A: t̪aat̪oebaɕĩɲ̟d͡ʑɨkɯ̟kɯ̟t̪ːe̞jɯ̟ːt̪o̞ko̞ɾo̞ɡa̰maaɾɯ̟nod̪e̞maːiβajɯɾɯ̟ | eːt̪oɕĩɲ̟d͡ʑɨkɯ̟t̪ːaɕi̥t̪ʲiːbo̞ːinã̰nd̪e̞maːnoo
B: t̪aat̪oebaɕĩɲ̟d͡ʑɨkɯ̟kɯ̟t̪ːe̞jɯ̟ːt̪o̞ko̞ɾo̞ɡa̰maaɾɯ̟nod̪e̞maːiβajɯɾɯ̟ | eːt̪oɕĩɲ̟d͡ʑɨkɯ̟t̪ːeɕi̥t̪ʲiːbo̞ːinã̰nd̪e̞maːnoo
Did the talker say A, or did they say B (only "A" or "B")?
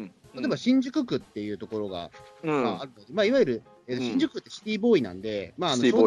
B